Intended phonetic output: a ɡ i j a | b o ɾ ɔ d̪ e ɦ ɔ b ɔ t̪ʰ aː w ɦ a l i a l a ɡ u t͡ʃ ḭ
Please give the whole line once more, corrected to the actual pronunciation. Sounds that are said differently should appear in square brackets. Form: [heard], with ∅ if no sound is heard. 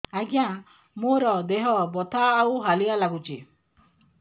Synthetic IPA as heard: a ɡ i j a | [m] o ɾ ɔ d̪ e ɦ ɔ b ɔ t̪ʰ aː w ɦ a l i a l a ɡ u t͡ʃ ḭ

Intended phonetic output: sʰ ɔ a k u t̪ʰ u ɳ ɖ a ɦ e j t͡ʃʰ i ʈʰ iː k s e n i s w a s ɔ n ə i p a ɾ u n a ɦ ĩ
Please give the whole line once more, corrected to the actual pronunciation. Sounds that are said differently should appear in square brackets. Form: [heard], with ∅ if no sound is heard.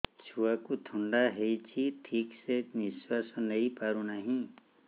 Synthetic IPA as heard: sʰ [u] a k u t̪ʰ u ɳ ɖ a ɦ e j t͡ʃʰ i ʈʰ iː k s e n i s w a s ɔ n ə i p a ɾ u n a ɦ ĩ

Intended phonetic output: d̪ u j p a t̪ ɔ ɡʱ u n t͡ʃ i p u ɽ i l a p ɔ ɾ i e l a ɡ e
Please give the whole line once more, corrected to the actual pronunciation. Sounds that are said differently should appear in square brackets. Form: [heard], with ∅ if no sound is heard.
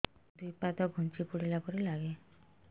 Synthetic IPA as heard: d̪ u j p a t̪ ɔ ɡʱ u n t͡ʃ i p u ɽ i l a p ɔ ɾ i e l a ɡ e

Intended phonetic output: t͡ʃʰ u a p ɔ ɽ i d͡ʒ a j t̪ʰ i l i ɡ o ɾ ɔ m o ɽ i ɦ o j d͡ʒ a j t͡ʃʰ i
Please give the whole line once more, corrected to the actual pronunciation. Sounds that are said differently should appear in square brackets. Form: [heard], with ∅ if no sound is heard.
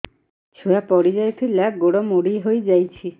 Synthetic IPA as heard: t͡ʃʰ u a p ɔ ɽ i d͡ʒ a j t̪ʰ i l [a] ɡ o [ɽ] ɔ m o ɽ i ɦ o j d͡ʒ a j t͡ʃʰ i

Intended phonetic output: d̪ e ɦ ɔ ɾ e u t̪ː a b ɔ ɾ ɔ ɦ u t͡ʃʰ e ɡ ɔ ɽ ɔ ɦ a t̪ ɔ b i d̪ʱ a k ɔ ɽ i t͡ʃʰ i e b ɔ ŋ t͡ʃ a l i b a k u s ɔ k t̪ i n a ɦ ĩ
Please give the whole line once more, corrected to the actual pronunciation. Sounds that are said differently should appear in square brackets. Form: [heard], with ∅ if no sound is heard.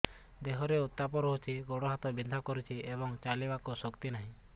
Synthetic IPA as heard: d̪ e ɦ ɔ ɾ e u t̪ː a [p] ɔ ɾ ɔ ɦ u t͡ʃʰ [i] ɡ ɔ ɽ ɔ ɦ a t̪ ɔ b i d̪ʱ a k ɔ [ɾ] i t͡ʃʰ i e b ɔ ŋ t͡ʃ a l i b a k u s ɔ k t̪ i n a ɦ ĩ

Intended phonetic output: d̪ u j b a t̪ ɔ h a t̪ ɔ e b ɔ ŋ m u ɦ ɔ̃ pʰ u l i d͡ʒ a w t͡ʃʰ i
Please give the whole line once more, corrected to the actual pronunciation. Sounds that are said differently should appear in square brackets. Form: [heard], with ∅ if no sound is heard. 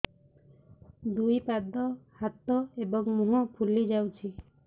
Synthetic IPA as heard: d̪ u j [p] a [d̪] ɔ h a t̪ ɔ e b ɔ ŋ m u ɦ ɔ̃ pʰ u l i d͡ʒ a w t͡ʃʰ i

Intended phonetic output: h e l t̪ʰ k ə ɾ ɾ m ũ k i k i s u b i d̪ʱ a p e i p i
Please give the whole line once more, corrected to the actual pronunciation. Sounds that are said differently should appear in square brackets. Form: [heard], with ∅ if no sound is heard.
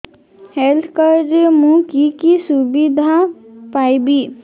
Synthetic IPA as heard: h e l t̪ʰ k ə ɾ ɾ m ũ k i k i s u b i d̪ʱ a p [a] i [b] i

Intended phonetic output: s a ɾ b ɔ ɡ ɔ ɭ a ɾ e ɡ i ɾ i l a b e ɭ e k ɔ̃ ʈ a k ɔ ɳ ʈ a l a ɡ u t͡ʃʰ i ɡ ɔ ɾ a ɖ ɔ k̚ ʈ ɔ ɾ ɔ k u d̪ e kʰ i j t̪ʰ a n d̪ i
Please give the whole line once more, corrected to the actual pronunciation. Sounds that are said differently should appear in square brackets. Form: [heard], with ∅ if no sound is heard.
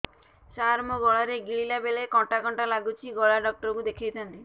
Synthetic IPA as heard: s a ɾ [m] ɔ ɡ ɔ ɭ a ɾ e ɡ i [ɭ] i l a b e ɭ e k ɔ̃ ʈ a k ɔ ɳ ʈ a l a ɡ u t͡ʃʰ i ɡ ɔ [ɭ] a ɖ ɔ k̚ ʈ ɔ ɾ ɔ k u d̪ e kʰ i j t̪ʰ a n [t̪] i

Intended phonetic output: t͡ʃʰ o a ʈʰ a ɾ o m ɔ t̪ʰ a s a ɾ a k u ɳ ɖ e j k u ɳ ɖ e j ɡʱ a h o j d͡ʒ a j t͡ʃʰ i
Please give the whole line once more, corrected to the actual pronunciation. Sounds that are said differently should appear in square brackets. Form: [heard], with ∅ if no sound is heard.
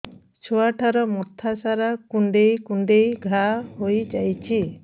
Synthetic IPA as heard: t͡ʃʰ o a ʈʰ a ɾ [ɔ] m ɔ t̪ʰ a s a ɾ a k u ɳ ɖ e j k u ɳ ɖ e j ɡʱ a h o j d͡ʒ a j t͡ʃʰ i

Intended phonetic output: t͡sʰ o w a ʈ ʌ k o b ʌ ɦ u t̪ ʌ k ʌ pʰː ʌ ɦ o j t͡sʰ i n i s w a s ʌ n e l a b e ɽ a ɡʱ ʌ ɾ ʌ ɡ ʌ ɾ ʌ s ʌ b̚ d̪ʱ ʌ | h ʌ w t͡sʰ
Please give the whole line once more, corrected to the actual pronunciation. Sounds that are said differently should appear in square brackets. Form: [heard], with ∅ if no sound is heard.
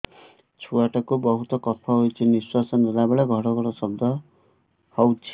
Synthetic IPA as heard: t͡sʰ [u] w a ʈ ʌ k o b ʌ ɦ u t̪ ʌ k ʌ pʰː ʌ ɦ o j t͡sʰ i n i s w a s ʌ n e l a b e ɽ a ɡʱ ʌ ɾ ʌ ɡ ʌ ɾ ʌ s ʌ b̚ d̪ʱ ʌ | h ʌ w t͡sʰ

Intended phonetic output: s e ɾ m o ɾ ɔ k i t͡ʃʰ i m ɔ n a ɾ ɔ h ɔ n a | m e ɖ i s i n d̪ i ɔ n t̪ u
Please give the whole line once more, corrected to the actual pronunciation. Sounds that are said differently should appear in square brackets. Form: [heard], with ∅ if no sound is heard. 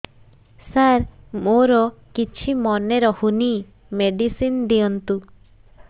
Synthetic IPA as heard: s [a] ɾ m o ɾ ɔ k i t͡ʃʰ i m ɔ n [e] ɾ ɔ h [u] n [i] | m e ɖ i s i n d̪ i ɔ n t̪ u

